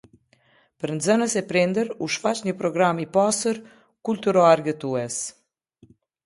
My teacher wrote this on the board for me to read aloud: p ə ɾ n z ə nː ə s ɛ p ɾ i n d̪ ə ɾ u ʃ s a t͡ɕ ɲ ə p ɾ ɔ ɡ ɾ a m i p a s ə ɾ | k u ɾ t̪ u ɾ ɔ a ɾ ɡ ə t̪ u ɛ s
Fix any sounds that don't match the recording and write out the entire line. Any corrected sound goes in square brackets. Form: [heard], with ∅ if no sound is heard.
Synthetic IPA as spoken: p ə ɾ n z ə [n] ə s ɛ p ɾ i n d̪ ə ɾ u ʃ [f] a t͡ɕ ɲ ə p ɾ ɔ ɡ ɾ a m i p a s ə ɾ | k u [l] t̪ u ɾ ɔ a ɾ ɡ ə t̪ u ɛ s